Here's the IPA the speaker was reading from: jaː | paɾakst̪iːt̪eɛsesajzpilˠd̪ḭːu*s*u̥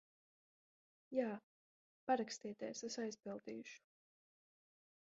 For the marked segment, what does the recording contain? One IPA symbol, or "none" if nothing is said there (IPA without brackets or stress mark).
ʃ